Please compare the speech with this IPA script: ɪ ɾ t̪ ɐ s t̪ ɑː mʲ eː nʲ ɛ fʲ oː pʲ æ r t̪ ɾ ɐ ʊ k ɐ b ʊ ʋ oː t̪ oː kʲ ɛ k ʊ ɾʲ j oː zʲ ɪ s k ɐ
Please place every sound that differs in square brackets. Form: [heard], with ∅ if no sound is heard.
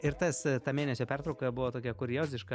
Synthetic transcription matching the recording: ɪ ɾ t̪ ɐ s t̪ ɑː mʲ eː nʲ ɛ [sʲ] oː pʲ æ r t̪ ɾ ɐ ʊ k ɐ b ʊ ʋ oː t̪ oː kʲ ɛ k ʊ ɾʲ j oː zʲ ɪ [ʃ] k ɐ